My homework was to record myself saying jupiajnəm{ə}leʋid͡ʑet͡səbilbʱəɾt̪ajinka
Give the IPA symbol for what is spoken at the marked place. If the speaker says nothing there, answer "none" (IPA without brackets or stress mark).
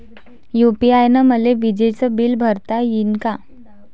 ə